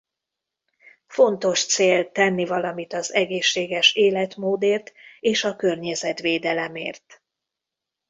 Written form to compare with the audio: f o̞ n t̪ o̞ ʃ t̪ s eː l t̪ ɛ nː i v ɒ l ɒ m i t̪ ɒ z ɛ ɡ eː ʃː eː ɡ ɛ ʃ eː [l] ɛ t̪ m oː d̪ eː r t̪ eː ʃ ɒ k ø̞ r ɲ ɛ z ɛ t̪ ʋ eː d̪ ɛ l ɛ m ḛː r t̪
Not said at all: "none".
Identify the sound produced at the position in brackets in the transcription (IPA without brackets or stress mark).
l